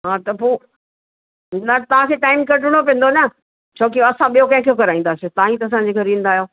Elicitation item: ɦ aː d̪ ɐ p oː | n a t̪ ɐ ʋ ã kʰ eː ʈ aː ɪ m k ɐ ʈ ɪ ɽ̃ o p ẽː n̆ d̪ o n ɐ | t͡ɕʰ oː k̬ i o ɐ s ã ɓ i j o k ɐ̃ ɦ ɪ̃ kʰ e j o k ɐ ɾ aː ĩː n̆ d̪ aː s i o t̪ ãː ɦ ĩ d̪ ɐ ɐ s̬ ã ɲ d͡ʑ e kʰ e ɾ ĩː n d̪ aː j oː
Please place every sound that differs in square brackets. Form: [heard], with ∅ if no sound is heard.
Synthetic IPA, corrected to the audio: ɦ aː [t̪] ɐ p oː | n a t̪ ɐ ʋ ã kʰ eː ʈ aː ɪ m k ɐ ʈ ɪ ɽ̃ o p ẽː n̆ d̪ o n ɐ | t͡ɕʰ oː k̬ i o ɐ s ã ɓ i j o k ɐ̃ ɦ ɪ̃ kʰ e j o k ɐ ɾ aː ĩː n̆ d̪ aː s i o t̪ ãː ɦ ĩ [t̪] ɐ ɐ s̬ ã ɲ d͡ʑ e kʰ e ɾ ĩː n d̪ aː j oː